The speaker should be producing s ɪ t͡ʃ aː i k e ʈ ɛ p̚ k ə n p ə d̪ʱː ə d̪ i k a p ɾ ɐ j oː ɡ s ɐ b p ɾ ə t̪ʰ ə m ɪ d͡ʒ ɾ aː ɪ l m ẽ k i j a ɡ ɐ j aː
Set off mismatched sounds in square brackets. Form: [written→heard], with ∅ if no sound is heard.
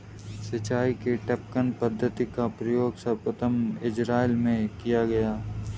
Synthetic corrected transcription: s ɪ t͡ʃ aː i k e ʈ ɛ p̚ k ə n p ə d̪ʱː ə [d̪→t̪] i k a p ɾ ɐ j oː ɡ s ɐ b p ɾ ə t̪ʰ ə m ɪ d͡ʒ ɾ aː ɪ l m ẽ k i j a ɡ ɐ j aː